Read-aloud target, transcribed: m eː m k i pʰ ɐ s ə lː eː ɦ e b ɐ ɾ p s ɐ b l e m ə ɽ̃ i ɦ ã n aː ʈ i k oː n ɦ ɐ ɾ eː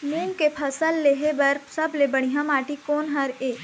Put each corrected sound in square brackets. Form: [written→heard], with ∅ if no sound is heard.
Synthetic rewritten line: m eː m k [i→e] pʰ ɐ s ə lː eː ɦ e b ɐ ɾ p s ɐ b l e [m→b] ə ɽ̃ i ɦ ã [n→m] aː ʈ i k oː n ɦ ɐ ɾ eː